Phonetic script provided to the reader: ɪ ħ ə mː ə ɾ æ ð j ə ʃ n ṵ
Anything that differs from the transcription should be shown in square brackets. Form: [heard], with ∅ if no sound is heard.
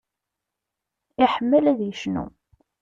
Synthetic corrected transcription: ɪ ħ ə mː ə [l] æ ð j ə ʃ n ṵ